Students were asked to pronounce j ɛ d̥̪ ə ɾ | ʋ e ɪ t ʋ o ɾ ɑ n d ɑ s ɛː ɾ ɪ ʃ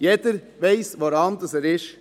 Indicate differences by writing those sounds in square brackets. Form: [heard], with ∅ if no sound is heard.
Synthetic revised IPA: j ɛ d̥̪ ə ɾ | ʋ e ɪ [s] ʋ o ɾ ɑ n d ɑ s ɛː ɾ ɪ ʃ